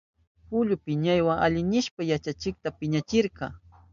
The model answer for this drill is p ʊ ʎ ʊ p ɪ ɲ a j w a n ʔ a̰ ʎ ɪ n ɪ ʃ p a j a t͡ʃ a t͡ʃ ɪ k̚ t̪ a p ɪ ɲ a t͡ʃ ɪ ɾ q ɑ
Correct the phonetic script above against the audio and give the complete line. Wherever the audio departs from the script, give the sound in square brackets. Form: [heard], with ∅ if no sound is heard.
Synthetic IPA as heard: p ʊ ʎ ʊ p ɪ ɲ a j w a [ŋ] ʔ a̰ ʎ ɪ n ɪ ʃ p a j a t͡ʃ a t͡ʃ ɪ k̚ t̪ a p ɪ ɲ a t͡ʃ ɪ ɾ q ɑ